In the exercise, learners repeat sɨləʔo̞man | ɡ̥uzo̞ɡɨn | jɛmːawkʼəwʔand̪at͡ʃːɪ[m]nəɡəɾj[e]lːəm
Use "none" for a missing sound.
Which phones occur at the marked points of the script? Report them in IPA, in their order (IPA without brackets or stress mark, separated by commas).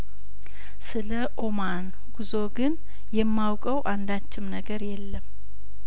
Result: m, ɛ